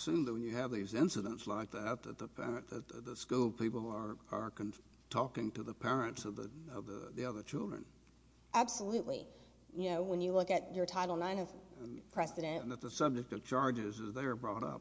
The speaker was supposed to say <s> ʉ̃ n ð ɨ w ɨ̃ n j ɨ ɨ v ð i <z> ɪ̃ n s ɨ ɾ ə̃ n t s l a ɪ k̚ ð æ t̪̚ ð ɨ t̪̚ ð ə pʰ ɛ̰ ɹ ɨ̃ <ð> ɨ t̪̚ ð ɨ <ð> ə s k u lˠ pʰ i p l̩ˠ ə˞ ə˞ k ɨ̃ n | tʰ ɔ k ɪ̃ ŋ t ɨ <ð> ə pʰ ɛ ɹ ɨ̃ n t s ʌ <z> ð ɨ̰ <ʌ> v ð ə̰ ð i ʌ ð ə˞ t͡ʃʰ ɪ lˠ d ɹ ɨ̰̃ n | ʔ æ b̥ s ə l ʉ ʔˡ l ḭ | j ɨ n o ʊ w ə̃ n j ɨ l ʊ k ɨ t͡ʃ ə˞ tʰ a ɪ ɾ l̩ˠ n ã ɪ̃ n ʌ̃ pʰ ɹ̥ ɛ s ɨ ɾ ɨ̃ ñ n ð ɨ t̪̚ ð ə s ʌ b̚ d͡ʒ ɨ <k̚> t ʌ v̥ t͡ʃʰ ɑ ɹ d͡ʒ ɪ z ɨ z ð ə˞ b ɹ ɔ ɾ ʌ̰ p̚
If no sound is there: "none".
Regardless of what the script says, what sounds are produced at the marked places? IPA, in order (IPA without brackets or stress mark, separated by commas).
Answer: s, z, ð, ð, ð, v, ʌ, k̚